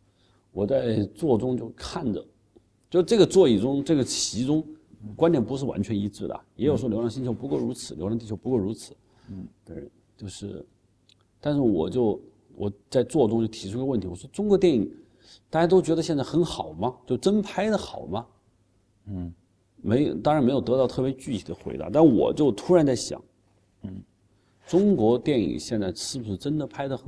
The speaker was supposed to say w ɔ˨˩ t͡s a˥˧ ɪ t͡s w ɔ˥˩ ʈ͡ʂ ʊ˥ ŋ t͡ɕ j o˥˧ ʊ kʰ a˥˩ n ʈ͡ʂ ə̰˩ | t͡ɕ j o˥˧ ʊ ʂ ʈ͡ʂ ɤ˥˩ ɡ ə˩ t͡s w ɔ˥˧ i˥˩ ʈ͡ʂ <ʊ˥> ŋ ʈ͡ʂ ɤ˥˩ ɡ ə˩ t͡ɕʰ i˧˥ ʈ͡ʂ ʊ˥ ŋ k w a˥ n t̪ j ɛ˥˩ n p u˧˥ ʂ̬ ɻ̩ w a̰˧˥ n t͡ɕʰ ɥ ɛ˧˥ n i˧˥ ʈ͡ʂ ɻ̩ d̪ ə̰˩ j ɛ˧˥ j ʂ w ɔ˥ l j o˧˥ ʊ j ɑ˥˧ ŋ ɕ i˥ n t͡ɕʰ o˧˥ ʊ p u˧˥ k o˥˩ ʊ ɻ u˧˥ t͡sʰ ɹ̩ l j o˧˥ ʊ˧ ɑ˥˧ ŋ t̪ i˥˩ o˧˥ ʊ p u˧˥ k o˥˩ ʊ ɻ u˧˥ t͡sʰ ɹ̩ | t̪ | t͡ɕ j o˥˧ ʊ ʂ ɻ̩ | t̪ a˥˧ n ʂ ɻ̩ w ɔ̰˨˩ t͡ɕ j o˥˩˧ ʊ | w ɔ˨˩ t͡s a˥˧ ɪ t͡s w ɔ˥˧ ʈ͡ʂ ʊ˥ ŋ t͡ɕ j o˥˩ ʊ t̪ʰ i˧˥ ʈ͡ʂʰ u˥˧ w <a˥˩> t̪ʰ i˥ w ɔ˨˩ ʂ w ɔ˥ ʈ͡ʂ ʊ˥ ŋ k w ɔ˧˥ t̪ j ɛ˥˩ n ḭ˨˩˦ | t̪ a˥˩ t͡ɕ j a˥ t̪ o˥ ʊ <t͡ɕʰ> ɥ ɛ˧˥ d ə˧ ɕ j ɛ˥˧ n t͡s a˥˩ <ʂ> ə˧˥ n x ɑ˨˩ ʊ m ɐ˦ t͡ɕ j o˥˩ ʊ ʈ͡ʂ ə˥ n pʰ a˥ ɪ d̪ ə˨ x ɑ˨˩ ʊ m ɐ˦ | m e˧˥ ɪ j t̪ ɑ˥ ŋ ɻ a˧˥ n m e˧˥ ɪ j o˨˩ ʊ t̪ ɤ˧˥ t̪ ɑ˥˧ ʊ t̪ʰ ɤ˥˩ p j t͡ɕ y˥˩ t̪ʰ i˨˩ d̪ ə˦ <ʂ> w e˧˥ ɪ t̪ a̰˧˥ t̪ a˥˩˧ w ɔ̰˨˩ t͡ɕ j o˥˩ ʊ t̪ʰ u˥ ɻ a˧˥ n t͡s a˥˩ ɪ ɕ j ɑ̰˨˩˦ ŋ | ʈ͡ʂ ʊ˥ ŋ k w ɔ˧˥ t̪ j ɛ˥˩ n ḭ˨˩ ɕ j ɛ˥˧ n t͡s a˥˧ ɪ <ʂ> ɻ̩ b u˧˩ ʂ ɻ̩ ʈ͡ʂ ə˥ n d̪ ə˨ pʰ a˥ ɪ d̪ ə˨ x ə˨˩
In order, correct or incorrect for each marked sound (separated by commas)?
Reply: correct, incorrect, incorrect, incorrect, incorrect, correct